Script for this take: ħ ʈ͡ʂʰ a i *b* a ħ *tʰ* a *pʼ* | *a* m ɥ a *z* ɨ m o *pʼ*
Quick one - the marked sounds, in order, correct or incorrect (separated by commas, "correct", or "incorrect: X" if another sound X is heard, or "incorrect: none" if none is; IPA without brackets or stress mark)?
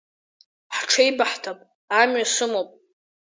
correct, correct, correct, correct, incorrect: s, correct